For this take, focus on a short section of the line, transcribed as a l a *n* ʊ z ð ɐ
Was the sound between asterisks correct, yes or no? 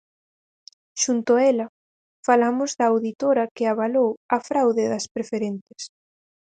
no